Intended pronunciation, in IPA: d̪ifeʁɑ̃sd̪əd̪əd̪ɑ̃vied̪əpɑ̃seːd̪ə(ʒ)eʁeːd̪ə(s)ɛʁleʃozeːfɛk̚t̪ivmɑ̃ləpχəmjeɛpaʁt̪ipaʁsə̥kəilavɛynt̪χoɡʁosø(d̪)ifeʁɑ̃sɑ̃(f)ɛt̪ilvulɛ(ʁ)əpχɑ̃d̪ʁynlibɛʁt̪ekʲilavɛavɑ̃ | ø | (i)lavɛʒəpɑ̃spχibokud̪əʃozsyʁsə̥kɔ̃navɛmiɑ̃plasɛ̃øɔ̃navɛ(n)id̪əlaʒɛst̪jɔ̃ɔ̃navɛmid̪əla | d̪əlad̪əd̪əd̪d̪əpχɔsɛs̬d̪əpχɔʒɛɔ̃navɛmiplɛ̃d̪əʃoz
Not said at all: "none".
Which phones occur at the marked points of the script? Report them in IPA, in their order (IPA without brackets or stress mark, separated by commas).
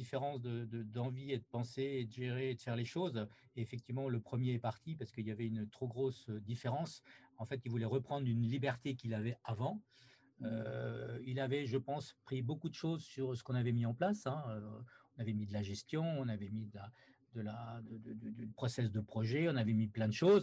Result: ʒ, f, d̪, f, ʁ, i, m